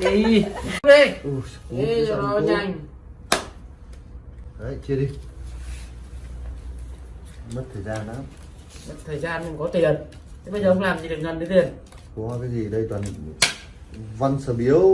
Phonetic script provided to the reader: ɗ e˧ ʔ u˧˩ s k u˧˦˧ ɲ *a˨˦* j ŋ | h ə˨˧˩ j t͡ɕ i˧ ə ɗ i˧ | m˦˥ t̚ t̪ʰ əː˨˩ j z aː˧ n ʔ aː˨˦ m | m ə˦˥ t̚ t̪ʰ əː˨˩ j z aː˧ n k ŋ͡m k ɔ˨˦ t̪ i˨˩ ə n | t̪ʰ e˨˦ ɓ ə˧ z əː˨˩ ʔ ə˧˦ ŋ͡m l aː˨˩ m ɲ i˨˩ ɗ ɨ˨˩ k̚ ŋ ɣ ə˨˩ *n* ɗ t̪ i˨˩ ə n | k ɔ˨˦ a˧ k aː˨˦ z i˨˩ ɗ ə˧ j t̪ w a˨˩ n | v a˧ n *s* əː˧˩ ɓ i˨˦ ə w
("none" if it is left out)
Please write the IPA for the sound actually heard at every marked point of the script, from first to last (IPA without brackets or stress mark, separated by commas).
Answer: a˧˩, n, s